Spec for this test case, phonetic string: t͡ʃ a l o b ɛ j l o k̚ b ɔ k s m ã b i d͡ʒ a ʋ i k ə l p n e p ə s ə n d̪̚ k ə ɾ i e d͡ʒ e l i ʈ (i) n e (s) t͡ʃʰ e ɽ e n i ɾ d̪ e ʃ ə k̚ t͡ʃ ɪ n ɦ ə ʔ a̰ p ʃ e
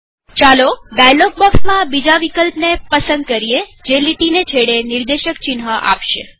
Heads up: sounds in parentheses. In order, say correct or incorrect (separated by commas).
correct, incorrect